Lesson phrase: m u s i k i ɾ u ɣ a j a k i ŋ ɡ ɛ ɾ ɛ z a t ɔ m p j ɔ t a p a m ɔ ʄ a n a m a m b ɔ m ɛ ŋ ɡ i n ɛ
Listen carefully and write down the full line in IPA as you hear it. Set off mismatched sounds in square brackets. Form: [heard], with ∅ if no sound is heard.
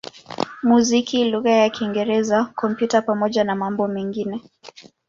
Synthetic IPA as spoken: m u [z] i k i [l] u ɣ a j a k i ŋ ɡ ɛ ɾ ɛ z a [k] ɔ m p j [u] t a p a m ɔ ʄ a n a m a m b ɔ m ɛ ŋ ɡ i n ɛ